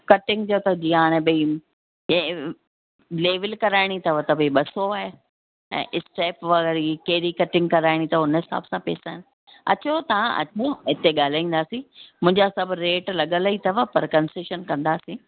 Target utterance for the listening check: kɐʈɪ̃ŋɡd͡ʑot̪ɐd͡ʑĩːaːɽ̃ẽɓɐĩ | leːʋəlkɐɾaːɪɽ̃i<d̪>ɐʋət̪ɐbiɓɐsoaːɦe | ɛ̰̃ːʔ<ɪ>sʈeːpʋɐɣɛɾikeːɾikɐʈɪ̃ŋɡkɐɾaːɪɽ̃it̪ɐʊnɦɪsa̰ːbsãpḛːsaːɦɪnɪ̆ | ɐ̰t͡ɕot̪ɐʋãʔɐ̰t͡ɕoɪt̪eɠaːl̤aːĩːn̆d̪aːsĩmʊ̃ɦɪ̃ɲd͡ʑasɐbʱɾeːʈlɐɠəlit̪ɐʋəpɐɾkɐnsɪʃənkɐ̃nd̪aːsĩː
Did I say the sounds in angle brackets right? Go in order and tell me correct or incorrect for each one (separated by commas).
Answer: incorrect, correct